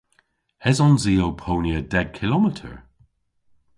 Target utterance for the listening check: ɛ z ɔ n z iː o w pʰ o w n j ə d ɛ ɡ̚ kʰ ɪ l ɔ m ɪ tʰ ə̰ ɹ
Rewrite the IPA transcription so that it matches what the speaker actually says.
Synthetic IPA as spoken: ɛ z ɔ n z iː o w pʰ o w n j ə d ɛ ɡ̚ kʰ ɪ l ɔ m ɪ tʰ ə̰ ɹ